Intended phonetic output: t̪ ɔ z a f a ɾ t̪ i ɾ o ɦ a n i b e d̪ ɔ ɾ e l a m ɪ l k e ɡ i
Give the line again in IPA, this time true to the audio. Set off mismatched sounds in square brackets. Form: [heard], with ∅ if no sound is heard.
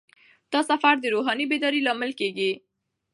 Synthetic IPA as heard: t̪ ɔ [s] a f a ɾ [d̪] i ɾ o ɦ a n i b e d̪ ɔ ɾ [i] l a m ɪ l k e ɡ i

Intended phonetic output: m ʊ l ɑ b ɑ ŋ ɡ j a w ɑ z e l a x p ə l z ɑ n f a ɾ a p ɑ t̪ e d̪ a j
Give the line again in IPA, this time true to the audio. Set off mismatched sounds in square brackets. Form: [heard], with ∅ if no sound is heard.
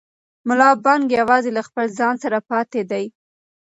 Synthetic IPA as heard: m ʊ l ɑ b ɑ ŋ ɡ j a w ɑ z e l a x p ə l z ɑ n [s] a ɾ a p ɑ t̪ e d̪ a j

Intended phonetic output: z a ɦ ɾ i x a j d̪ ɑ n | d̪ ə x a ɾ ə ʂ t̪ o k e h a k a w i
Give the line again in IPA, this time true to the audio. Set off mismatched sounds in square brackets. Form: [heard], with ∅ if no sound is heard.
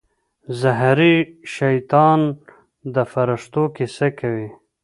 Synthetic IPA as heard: z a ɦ ɾ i [ʃ] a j [t̪] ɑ n | d̪ ə [f] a ɾ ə ʂ t̪ o k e [s] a k a w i

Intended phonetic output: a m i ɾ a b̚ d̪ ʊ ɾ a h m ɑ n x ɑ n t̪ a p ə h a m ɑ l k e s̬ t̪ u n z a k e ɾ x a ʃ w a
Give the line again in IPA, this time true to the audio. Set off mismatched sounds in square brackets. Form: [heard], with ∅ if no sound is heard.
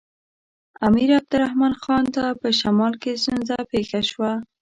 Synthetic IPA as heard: a m i ɾ a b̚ d̪ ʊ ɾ a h m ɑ n x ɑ n t̪ a p ə [ʃ] a m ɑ l k e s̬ t̪ u n z a [p] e [∅] x a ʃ w a

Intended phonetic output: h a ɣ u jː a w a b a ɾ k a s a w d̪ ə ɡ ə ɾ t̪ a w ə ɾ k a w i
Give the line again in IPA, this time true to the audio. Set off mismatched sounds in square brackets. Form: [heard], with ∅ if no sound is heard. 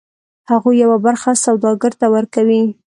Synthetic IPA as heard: h a ɣ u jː a w a b a ɾ [x] a s a w d̪ [ɑ] ɡ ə ɾ t̪ a w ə ɾ k a w i

